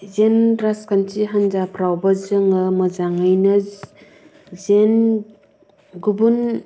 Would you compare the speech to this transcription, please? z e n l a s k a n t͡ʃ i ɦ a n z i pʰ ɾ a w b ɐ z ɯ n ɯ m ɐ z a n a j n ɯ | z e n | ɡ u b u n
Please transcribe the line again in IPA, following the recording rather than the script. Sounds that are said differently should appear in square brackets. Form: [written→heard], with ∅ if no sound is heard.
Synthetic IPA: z e n [l→ɾ] a s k a n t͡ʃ i ɦ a n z [i→a] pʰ ɾ a w b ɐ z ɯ [n→ŋ] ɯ m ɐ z a [n→ŋ] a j n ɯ | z e n | ɡ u b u n